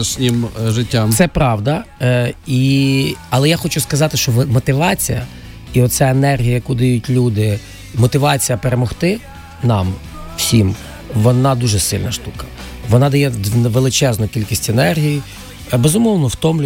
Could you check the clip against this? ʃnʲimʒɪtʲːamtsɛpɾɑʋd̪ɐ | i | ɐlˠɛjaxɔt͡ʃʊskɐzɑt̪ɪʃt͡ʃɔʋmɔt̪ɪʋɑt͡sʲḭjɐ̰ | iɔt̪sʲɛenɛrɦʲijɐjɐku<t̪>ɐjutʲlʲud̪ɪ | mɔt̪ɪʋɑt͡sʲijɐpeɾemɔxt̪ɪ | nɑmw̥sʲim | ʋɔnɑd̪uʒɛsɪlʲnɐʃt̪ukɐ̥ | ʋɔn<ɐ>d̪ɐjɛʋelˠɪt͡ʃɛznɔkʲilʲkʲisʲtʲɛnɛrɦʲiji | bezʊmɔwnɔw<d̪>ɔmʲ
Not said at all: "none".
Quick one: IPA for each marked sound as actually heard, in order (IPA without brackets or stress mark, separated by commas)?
d̪, ɑ, t̪